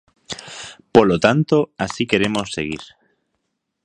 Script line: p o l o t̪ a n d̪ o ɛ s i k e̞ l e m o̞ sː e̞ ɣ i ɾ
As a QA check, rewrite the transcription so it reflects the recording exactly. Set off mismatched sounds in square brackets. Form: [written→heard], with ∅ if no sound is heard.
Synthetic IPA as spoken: p o l o t̪ a n [d̪→t̪] o [ɛ→a] s i k e̞ [l→ɾ] e m o̞ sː e̞ ɣ i ɾ